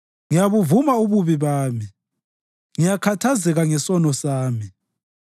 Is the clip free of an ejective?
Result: yes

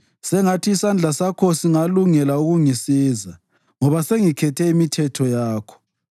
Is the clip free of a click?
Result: yes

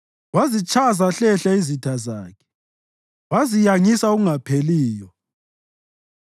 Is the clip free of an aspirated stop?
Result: no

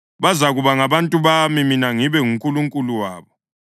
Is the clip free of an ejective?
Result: no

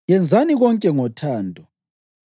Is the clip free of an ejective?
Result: no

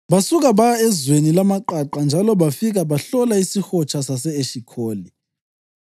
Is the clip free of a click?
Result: no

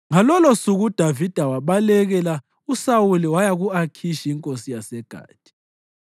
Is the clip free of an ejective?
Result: no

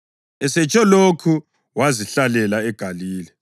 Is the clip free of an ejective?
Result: no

